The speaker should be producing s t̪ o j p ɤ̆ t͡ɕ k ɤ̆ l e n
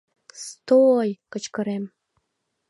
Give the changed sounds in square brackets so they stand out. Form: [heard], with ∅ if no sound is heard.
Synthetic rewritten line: s t̪ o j [k] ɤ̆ t͡ɕ k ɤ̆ [ɾ] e [m]